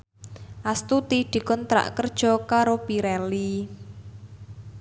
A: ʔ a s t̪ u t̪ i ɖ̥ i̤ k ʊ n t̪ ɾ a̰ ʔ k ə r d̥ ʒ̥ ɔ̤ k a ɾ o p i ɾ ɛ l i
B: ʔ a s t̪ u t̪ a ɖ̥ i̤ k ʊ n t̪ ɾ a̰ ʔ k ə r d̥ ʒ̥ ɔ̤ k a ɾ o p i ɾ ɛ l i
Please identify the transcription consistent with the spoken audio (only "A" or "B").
A